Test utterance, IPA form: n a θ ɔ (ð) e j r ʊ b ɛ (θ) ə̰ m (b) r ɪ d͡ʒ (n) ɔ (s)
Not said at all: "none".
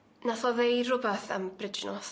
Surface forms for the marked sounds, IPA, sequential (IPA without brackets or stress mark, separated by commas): ð, θ, b, n, s